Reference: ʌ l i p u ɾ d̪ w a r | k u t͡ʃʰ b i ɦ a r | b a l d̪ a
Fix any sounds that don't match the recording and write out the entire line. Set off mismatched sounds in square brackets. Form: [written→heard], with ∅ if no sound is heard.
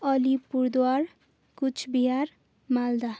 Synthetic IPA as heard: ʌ l i p u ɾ d̪ w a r | k u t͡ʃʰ b i ɦ a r | [b→m] a l d̪ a